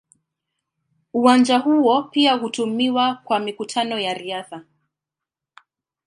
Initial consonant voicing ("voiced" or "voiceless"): voiced